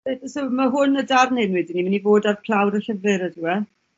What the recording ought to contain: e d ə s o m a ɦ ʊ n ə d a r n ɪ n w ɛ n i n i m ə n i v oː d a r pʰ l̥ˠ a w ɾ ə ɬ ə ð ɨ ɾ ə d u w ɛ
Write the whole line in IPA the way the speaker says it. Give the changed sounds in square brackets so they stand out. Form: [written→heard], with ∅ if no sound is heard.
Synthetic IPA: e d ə s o m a ɦ ʊ n ə d a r n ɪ n w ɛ [n→d] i n i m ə n i v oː d a r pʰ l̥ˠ a w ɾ ə ɬ ə [ð→v] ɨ ɾ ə d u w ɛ